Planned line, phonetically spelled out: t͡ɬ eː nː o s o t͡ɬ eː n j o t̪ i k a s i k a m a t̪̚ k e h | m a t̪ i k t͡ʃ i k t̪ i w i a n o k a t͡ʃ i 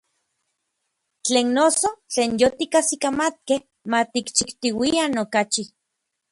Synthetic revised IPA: t͡ɬ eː nː o s o t͡ɬ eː n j o t̪ i k a s i k a m a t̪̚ k e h | m a t̪ i k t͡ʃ i k t̪ i w i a n o k a t͡ʃ i